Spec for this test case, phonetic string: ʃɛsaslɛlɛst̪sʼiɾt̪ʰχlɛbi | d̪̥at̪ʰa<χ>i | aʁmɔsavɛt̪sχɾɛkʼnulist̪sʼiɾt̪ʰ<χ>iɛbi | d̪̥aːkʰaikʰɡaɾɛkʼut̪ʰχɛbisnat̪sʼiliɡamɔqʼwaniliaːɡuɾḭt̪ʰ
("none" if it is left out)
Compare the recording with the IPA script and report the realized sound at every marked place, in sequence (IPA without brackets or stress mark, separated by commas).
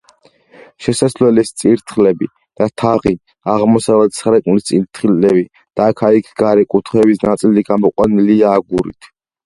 ʁ, χ